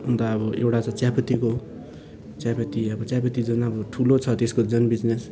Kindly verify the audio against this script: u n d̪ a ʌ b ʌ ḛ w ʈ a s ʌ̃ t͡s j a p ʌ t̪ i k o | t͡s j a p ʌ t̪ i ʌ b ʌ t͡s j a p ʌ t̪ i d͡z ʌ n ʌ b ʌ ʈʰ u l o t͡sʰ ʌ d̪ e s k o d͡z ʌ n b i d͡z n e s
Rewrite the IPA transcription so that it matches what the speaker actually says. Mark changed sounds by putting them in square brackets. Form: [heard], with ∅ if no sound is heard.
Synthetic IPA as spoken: u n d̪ a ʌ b ʌ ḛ w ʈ a [t͡s] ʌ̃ t͡s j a p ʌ t̪ i k o | t͡s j a p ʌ t̪ i ʌ b ʌ t͡s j a p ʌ t̪ i d͡z ʌ n ʌ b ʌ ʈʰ u l o t͡sʰ ʌ [t̪] e s k o d͡z ʌ n b i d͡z n e s